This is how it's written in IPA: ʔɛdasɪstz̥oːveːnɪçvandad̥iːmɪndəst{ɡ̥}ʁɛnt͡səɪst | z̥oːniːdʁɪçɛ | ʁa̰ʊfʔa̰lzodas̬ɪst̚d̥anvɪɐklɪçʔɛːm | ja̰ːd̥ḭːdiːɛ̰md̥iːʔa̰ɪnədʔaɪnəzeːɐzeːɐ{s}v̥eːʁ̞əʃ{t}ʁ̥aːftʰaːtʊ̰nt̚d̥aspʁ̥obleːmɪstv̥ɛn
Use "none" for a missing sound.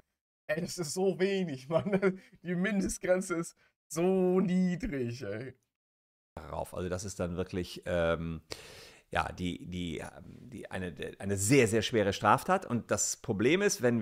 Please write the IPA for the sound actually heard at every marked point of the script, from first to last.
ɡ̥, ʃ, t

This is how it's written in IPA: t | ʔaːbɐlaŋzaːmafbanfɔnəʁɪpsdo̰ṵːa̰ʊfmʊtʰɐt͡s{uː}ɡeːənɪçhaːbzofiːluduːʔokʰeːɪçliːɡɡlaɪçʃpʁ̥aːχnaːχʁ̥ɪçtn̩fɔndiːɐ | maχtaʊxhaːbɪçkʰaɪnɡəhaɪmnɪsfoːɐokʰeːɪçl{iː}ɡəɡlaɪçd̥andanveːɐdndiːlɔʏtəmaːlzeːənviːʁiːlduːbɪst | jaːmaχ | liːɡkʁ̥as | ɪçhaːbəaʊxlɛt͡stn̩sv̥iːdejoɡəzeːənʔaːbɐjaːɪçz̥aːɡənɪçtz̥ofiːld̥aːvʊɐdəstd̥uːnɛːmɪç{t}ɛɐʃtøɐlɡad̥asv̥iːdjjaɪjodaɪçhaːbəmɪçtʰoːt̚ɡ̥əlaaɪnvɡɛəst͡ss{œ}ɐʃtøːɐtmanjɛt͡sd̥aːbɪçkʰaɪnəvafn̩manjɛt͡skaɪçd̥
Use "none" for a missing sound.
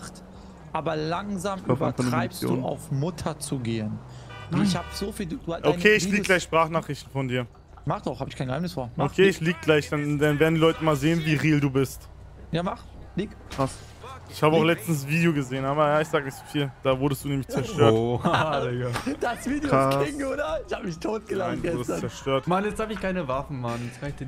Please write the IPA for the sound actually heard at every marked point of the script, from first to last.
u, iː, t͡s, ɛ

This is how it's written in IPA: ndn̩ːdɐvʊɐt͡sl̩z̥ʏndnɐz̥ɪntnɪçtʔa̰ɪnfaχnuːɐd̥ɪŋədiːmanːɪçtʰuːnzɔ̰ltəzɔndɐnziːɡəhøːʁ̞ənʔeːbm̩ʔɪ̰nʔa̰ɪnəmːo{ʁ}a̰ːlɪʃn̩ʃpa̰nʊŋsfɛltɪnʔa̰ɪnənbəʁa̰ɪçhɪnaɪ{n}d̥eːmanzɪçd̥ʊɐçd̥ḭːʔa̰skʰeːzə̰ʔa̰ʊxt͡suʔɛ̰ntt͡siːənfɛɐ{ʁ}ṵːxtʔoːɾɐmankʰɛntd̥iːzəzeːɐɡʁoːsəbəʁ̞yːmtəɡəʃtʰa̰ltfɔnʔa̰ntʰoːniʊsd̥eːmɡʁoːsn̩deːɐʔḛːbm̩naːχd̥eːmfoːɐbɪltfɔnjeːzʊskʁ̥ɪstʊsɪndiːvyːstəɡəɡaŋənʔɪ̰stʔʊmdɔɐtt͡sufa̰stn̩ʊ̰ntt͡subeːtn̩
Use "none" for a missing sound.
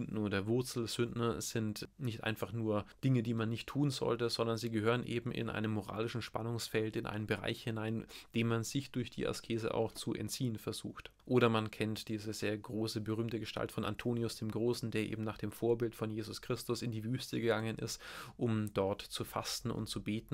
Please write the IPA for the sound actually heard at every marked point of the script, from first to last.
ʁ, n, z

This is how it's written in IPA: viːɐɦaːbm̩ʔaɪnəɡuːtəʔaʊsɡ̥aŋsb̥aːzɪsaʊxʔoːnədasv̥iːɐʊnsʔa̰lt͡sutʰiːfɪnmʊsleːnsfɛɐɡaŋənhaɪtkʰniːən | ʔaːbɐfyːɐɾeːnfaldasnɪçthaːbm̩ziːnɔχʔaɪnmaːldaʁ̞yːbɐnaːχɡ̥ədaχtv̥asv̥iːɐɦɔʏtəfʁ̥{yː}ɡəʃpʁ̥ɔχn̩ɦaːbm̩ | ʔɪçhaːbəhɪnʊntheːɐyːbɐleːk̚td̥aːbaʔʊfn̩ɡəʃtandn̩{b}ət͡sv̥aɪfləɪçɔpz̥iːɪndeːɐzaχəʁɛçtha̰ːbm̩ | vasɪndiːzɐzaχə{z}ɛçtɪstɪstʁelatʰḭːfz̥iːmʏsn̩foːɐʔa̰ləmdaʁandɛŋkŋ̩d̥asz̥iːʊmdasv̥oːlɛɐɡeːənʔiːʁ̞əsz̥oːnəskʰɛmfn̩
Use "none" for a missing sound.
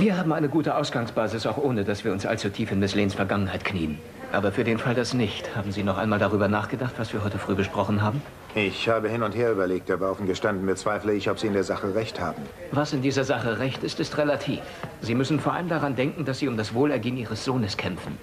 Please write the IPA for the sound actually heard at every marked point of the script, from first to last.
yː, b, ʁ

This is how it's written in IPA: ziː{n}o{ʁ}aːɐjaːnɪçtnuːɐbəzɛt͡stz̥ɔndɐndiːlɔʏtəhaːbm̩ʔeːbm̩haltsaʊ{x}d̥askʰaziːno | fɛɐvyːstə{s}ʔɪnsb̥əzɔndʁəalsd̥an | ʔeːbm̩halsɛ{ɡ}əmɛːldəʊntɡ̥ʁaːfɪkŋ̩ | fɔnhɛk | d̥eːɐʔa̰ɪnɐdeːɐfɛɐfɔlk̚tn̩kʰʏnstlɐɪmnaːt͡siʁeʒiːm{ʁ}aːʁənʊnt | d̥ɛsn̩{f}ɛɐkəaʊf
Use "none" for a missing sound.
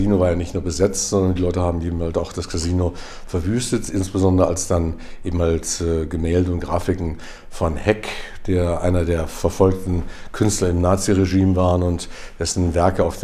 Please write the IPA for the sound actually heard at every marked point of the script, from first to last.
n, v, x, t, ɡ, v, v

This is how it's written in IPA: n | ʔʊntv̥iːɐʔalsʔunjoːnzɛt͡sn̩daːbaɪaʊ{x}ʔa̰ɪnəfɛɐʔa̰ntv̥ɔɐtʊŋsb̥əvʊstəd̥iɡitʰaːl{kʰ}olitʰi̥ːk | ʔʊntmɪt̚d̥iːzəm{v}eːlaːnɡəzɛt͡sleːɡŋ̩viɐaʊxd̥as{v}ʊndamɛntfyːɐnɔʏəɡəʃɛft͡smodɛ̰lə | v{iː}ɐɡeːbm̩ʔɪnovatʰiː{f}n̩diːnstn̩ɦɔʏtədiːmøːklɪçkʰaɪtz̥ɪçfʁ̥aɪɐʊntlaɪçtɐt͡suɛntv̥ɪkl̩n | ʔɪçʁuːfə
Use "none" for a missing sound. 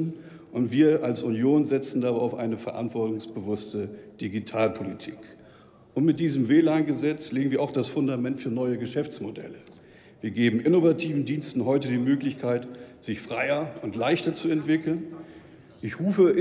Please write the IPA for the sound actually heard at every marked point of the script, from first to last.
f, pʰ, v, f, iː, v

